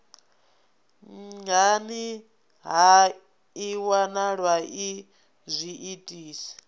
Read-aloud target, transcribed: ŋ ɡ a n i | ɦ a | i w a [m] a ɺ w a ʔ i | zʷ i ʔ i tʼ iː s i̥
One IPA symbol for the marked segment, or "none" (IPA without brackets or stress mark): n